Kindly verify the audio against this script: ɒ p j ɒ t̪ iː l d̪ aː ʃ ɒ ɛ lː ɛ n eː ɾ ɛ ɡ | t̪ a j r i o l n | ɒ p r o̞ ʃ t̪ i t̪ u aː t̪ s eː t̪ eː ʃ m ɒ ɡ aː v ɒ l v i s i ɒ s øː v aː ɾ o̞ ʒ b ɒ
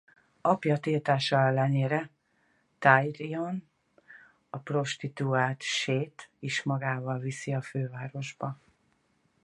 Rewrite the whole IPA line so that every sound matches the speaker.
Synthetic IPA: ɒ p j ɒ t̪ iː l t̪ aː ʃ ɒ ɛ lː ɛ n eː ɾ ɛ | t̪ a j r i o n | ɒ p r o̞ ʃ t̪ i t̪ u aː t̪ ʃ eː t̪ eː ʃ m ɒ ɡ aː v ɒ l v i s i ɒ f øː v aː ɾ o̞ ʒ b ɒ

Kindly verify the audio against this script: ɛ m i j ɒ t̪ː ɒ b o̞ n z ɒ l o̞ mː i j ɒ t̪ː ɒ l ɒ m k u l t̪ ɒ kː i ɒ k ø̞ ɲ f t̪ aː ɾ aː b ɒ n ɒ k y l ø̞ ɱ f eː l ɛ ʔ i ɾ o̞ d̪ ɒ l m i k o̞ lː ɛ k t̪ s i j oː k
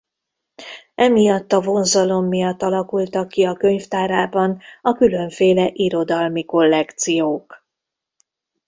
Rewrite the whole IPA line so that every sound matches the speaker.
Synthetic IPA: ɛ m i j ɒ t̪ː ɒ v o̞ n z ɒ l o̞ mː i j ɒ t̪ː ɒ l ɒ k u l t̪ ɒ kː i ɒ k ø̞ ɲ f t̪ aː ɾ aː b ɒ n ɒ k y l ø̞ ɱ f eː l ɛ ʔ i ɾ o̞ d̪ ɒ l m i k o̞ lː ɛ k t̪ s i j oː k

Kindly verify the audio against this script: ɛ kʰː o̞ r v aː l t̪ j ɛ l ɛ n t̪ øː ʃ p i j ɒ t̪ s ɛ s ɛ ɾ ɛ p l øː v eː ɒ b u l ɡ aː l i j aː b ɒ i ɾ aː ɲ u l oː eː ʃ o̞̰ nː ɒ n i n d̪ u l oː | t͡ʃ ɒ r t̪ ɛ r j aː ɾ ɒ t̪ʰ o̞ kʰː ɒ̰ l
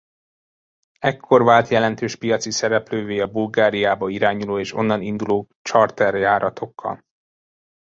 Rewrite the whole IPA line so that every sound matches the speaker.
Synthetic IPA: ɛ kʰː o̞ r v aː l t̪ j ɛ l ɛ n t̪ øː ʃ p i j ɒ t̪ s i s ɛ ɾ ɛ p l øː v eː ɒ b u l ɡ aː ɾ i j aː b ɒ i ɾ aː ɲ u l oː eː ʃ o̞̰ nː ɒ n i n d̪ u l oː | t͡ʃ ɒ r t̪ ɛ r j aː ɾ ɒ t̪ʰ o̞ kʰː ɒ̰ l

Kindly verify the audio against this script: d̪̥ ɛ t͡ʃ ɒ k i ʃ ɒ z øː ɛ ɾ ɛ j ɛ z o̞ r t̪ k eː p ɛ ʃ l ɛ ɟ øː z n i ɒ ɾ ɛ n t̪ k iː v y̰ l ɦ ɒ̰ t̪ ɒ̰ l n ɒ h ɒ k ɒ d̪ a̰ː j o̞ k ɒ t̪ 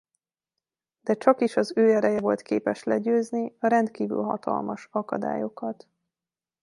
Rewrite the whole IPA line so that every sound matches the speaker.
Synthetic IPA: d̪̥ ɛ t͡ʃ ɒ k i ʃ ɒ z øː ɛ ɾ ɛ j ɛ v o̞ l t̪ k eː p ɛ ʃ l ɛ ɟ øː z n i ɒ ɾ ɛ n t̪ k iː v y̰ l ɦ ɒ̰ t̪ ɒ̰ l m ɒ ʃ ɒ k ɒ d̪ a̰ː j o̞ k ɒ t̪

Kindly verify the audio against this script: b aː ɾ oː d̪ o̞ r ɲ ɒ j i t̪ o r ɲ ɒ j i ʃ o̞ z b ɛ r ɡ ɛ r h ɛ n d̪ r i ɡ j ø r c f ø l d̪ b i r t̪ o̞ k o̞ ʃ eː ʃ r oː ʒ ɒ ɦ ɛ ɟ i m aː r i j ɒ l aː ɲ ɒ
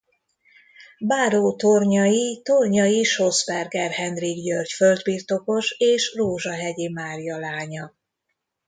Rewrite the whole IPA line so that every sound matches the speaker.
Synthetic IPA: b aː ɾ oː t̪ o̞ r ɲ ɒ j i t̪ o r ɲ ɒ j i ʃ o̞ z b ɛ r ɡ ɛ r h ɛ n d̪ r i ɡ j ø r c f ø l d̪ b i r t̪ o̞ k o̞ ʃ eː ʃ r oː ʒ ɒ ɦ ɛ ɟ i m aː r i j ɒ l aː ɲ ɒ

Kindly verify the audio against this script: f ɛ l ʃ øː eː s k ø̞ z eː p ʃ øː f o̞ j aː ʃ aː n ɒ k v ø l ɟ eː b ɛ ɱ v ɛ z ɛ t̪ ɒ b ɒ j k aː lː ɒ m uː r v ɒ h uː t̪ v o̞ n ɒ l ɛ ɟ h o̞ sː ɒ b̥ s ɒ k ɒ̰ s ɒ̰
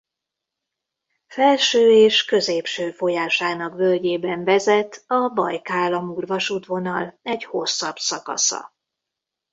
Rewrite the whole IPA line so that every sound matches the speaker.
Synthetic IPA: f ɛ l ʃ øː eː ʃ k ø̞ z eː p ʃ øː f o̞ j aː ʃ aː n ɒ k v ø l ɟ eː b ɛ ɱ v ɛ z ɛ t̪ ɒ b ɒ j k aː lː ɒ m uː r v ɒ ʃ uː t̪ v o̞ n ɒ l ɛ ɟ h o̞ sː ɒ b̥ s ɒ k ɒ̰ s ɒ̰

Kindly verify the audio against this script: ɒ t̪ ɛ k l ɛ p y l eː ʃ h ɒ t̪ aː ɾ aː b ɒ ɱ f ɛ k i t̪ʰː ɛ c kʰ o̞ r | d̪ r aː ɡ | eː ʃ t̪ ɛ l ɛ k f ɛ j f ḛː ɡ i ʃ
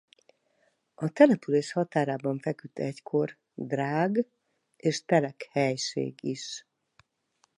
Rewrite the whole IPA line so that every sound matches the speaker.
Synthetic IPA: ɒ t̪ ɛ l ɛ p y l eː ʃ h ɒ t̪ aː ɾ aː b ɒ ɱ f ɛ k y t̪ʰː ɛ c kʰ o̞ r | d̪ r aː ɡ | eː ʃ t̪ ɛ l ɛ k h ɛ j ʃ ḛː ɡ i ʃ

